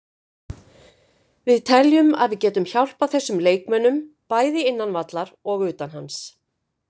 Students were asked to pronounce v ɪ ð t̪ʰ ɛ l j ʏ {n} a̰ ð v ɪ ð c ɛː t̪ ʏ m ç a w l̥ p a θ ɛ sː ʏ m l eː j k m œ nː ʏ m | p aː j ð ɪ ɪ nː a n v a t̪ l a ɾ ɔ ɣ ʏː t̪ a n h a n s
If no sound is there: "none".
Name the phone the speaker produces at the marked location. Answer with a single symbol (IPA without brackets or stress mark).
m